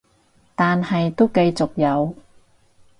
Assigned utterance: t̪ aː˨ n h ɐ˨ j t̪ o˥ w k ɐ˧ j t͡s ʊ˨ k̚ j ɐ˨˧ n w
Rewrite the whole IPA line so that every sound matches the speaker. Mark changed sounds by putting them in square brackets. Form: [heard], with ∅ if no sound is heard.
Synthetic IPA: t̪ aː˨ n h ɐ˨ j t̪ o˥ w k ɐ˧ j t͡s ʊ˨ k̚ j ɐ˨˧ [∅] w